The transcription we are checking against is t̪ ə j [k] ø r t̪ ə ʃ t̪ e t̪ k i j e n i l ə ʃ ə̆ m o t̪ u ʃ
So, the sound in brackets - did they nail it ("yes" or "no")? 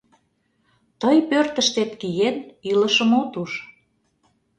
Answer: no